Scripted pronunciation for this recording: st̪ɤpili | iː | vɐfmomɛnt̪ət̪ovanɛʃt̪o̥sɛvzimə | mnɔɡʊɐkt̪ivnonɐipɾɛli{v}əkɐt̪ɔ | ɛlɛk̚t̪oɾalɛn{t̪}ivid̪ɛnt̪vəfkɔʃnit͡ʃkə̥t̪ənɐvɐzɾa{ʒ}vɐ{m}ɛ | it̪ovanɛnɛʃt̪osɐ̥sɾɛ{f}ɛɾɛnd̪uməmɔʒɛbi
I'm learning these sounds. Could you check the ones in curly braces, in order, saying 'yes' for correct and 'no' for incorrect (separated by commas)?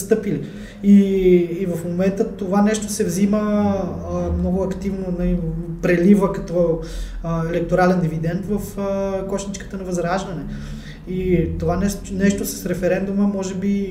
yes, no, yes, no, yes